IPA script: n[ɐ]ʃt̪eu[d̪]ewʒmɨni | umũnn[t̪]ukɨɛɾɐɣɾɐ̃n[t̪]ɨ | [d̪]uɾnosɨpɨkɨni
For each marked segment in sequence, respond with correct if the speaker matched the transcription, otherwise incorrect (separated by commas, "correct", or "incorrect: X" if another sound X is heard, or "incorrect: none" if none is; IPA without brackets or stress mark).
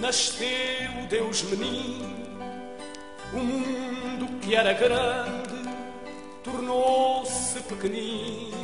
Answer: correct, correct, incorrect: d̪, incorrect: d̪, incorrect: t̪